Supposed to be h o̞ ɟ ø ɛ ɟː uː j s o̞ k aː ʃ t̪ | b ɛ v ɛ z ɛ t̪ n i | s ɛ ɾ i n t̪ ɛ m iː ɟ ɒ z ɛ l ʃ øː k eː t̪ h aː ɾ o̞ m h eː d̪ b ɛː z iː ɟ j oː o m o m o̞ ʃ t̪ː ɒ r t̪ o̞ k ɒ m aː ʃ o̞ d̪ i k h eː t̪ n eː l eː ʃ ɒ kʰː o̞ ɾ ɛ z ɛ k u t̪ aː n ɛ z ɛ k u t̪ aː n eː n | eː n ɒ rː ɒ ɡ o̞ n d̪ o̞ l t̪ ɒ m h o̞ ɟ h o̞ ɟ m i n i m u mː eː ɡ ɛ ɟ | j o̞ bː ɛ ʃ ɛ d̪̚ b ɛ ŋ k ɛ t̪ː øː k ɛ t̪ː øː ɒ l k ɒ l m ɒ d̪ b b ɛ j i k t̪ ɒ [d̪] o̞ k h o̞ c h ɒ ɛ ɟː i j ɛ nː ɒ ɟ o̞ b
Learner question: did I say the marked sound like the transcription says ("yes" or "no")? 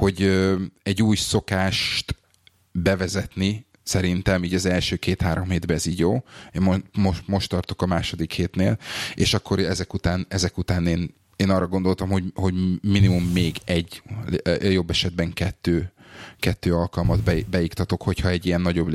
no